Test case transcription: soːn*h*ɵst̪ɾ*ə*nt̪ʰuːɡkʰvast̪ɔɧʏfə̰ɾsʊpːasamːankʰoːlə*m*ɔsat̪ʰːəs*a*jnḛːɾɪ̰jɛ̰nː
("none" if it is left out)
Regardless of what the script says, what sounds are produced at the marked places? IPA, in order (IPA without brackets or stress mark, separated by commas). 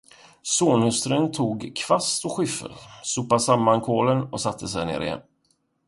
h, ə, n, ɛ